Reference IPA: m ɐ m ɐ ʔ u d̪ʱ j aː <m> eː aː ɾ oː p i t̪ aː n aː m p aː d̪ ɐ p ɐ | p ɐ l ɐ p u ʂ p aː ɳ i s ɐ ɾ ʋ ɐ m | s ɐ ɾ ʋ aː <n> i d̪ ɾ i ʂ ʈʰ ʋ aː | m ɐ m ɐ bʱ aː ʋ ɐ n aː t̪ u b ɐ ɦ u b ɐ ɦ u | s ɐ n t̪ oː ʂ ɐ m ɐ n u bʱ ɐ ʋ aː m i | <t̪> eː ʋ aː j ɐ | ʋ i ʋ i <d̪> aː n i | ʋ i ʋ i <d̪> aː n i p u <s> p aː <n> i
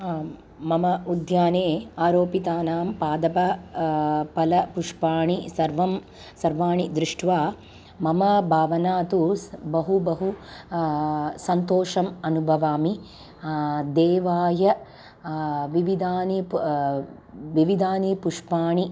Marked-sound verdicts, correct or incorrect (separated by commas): incorrect, incorrect, incorrect, correct, correct, incorrect, incorrect